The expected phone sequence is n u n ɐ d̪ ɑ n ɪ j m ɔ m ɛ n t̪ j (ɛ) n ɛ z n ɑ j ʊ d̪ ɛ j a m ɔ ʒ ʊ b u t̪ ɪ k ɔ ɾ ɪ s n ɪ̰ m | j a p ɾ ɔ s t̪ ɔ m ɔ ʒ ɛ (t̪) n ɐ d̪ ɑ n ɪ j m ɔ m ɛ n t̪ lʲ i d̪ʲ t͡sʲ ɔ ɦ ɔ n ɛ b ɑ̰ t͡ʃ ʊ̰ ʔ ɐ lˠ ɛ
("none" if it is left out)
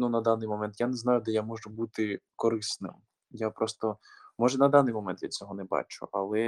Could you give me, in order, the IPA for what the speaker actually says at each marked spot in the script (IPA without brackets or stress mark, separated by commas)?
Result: a, none